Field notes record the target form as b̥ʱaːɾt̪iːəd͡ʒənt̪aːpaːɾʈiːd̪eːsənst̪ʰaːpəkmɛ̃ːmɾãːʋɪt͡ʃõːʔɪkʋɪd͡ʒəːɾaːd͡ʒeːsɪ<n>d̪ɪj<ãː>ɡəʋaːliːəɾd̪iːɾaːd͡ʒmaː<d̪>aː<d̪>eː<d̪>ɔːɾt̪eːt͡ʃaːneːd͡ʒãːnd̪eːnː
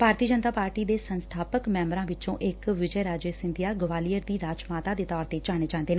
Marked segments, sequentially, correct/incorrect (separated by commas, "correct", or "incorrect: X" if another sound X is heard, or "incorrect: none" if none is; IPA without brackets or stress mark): correct, incorrect: aː, incorrect: t̪, correct, incorrect: t̪